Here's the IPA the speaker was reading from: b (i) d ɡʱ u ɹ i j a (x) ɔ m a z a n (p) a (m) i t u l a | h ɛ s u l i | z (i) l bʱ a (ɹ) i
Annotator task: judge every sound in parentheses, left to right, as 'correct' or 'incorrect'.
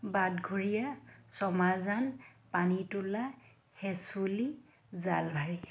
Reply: incorrect: a, incorrect: s, correct, incorrect: n, incorrect: a, correct

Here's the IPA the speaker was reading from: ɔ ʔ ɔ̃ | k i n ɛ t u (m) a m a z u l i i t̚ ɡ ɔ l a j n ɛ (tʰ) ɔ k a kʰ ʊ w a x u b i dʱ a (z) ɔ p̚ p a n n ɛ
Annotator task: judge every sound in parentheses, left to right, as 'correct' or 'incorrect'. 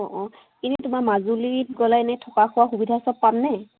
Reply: correct, correct, incorrect: s

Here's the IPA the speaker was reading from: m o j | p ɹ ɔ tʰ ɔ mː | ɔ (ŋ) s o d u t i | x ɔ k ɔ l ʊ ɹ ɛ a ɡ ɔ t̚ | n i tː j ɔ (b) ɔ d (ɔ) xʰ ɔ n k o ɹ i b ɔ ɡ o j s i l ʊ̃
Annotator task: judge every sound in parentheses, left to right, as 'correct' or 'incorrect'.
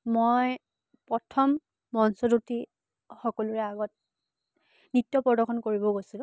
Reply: incorrect: n, incorrect: p, correct

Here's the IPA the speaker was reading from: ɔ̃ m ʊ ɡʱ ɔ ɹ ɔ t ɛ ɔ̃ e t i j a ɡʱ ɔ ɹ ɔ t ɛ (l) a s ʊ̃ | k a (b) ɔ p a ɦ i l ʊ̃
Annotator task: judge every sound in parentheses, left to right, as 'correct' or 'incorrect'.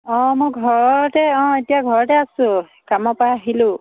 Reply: incorrect: none, incorrect: m

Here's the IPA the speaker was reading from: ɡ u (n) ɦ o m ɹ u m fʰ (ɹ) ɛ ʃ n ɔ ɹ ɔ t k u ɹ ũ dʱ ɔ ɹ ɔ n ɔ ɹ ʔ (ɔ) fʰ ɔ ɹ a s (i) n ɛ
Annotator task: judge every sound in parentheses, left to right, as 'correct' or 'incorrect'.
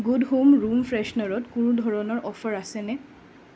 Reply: incorrect: d, correct, correct, incorrect: ɛ

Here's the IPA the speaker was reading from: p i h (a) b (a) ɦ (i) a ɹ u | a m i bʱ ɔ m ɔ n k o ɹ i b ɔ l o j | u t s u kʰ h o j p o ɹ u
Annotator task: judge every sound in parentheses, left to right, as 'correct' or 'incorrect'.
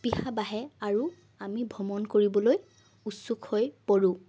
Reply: correct, correct, incorrect: ɛ

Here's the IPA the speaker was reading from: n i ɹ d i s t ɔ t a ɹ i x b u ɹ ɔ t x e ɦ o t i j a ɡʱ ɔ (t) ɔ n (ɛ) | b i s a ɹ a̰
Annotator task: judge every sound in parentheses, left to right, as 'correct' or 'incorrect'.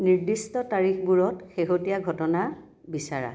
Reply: correct, incorrect: a

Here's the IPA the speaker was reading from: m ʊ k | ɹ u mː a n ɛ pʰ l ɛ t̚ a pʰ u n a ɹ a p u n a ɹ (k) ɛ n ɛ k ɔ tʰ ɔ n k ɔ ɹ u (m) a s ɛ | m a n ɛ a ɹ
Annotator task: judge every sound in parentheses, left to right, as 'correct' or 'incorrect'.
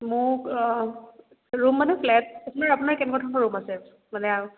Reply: correct, correct

